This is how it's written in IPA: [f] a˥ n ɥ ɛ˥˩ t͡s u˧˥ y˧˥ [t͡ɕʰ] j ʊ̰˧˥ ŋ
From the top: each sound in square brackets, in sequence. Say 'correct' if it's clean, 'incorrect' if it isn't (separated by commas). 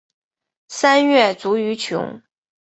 incorrect, correct